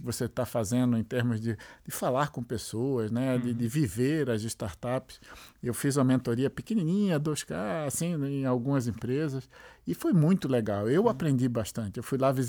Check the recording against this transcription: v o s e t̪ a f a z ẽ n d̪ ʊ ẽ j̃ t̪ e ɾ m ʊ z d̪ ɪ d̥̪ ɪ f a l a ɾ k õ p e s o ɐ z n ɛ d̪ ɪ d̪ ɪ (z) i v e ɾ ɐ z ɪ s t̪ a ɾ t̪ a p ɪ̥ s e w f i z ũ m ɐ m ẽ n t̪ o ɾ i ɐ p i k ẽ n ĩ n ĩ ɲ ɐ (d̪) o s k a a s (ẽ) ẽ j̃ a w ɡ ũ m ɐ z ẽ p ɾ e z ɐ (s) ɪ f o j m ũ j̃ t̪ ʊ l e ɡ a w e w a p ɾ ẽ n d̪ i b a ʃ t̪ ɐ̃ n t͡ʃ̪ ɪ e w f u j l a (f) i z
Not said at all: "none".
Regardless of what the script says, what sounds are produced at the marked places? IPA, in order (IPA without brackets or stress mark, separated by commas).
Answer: v, d̪, ĩ, s, v